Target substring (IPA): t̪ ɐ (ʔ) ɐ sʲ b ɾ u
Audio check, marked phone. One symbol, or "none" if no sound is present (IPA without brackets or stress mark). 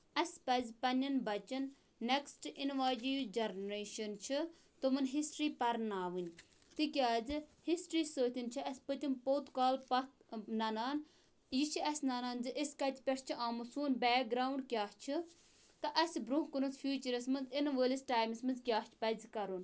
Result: ʔ